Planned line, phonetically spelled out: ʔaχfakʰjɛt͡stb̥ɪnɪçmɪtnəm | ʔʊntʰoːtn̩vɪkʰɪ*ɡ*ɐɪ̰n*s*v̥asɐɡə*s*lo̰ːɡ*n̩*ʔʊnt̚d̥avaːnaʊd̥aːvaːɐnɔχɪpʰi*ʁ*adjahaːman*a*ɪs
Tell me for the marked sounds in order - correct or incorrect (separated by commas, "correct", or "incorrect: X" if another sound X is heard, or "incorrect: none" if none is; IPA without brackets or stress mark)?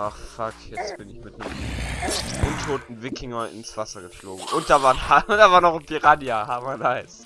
incorrect: ŋ, correct, incorrect: f, incorrect: ŋ̩, correct, correct